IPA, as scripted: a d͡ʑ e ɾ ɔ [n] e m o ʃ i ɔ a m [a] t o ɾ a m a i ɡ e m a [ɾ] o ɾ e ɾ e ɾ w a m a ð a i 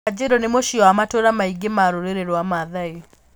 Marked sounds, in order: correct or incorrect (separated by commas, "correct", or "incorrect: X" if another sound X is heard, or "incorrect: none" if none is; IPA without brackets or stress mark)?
correct, correct, correct